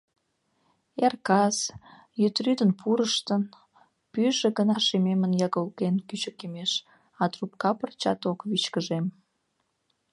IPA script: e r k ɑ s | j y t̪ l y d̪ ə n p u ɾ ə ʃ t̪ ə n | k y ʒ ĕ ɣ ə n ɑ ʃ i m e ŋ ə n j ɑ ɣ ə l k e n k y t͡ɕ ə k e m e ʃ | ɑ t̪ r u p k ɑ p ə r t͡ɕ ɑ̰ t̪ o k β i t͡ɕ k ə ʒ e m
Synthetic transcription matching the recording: e r k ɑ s | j y t̪ r y d̪ ə n p u ɾ ə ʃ t̪ ə n | p y ʒ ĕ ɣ ə n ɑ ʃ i m e m ə n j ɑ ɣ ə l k e n k y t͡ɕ ə k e m e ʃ | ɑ t̪ r u p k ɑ p ə r t͡ɕ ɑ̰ t̪ o k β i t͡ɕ k ə ʒ e m